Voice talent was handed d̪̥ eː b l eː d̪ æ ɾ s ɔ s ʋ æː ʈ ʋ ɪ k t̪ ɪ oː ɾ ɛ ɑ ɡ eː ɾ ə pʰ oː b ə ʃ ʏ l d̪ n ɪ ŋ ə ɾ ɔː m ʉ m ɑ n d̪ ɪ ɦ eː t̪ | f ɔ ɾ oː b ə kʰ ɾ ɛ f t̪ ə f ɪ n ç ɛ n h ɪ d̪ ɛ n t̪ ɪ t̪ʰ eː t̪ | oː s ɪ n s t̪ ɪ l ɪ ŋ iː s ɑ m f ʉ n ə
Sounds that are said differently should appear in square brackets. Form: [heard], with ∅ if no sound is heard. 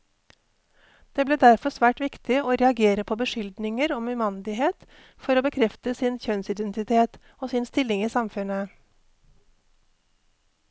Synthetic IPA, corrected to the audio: d̪̥ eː b l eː d̪ æ ɾ [f] ɔ s ʋ æː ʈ ʋ ɪ k t̪ ɪ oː ɾ ɛ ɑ ɡ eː ɾ ə pʰ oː b ə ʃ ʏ l d̪ n ɪ ŋ ə ɾ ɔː m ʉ m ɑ n d̪ ɪ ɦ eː t̪ | f ɔ ɾ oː b ə kʰ ɾ ɛ f t̪ ə [s] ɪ n ç [œ] n [s] ɪ d̪ ɛ n t̪ ɪ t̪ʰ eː t̪ | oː s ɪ n s t̪ ɪ l ɪ ŋ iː s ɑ m f ʉ n ə

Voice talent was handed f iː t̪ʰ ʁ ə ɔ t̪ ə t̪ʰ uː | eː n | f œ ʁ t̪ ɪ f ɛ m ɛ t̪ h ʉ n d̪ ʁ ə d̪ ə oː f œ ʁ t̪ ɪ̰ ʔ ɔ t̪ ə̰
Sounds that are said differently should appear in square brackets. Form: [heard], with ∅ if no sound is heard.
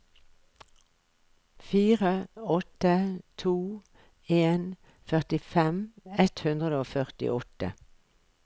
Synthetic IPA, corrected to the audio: f iː [∅] ʁ ə ɔ t̪ ə t̪ʰ uː | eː n | f œ ʁ t̪ ɪ f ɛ m ɛ t̪ h ʉ n d̪ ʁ ə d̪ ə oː f œ ʁ t̪ ɪ̰ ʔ ɔ t̪ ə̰

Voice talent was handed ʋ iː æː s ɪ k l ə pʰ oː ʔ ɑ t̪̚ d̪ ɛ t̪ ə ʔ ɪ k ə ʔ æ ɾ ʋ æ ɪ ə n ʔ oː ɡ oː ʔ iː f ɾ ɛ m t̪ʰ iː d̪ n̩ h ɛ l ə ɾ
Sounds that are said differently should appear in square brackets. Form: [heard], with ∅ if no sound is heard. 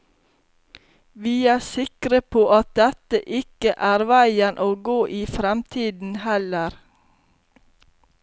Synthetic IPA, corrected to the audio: ʋ iː æː s ɪ k [ɾ] ə pʰ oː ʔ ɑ t̪̚ d̪ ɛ t̪ ə ʔ ɪ k ə ʔ [æː] ɾ ʋ æ ɪ ə n ʔ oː ɡ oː ʔ iː f ɾ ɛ m t̪ʰ iː d̪ n̩ h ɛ l ə ɾ

